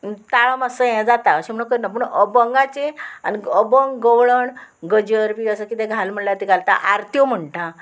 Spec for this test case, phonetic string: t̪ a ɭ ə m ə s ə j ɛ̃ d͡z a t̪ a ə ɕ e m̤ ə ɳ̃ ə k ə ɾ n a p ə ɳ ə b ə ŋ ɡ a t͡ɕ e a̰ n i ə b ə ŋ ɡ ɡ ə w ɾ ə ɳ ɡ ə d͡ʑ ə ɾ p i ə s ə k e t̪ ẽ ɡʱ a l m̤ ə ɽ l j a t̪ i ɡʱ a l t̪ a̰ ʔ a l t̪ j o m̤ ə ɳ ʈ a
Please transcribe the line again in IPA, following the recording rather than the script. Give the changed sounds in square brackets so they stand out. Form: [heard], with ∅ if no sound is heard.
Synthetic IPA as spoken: t̪ a ɭ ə m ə s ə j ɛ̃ d͡z a t̪ a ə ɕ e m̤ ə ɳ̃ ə k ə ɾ n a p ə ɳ ə b ə ŋ ɡ a t͡ɕ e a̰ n i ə b ə ŋ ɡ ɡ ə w [ɭ] ə ɳ ɡ ə d͡ʑ ə ɾ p i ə s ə k [i] t̪ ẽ ɡʱ a l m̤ ə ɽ l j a t̪ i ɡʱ a l t̪ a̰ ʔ a [ɾ] t̪ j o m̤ ə ɳ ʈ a